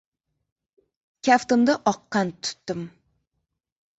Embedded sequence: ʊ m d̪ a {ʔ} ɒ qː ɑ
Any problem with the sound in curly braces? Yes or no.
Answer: no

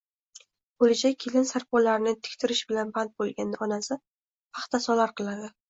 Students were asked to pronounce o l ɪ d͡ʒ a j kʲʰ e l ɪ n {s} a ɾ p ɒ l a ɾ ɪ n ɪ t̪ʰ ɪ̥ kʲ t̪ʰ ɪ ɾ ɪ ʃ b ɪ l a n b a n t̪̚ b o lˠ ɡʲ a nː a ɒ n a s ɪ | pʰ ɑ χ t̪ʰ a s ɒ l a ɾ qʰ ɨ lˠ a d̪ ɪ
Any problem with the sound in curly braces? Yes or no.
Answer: no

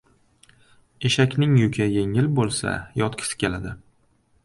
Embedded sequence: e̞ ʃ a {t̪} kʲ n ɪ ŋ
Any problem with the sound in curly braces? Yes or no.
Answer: yes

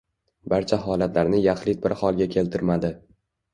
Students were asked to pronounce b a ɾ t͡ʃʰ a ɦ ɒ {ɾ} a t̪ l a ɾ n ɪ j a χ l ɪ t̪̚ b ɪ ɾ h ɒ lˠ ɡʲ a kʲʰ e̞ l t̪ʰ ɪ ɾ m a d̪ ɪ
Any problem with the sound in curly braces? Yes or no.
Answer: yes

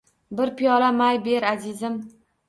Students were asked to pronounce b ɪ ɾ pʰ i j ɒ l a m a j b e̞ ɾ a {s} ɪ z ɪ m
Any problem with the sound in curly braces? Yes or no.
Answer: yes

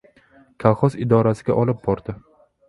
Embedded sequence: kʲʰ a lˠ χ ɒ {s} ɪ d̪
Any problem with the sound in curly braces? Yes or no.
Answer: no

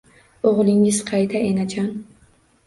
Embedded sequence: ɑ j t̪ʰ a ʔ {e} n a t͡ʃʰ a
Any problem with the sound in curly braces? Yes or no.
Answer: no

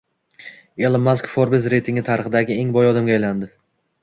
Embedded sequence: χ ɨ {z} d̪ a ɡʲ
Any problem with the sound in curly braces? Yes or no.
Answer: yes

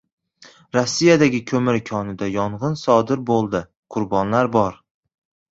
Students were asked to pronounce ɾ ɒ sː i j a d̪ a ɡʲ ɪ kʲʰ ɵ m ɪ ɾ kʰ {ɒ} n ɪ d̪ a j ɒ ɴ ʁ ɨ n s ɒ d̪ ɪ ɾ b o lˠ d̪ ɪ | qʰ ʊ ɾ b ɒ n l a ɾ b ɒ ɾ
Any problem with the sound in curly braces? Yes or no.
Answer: no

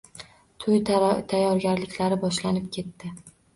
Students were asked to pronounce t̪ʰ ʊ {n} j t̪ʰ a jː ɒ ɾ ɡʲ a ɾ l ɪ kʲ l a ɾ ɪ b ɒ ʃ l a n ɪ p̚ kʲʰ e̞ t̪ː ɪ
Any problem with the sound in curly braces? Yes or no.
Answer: yes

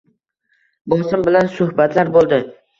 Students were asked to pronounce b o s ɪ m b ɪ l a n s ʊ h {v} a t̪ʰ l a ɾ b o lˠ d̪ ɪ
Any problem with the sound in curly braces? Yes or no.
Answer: yes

